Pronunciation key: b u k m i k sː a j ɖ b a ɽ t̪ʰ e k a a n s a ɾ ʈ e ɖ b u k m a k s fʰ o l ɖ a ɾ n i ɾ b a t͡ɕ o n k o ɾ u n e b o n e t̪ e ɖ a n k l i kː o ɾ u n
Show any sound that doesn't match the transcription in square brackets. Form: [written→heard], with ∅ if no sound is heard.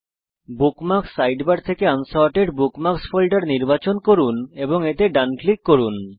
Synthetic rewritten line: b u k m [i→a] k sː a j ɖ b a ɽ t̪ʰ e k [a→e] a n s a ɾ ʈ e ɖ b u k m a k s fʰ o l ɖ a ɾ n i ɾ b a t͡ɕ o n k o ɾ u n e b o [n→ŋ] e t̪ e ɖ a n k l i kː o ɾ u n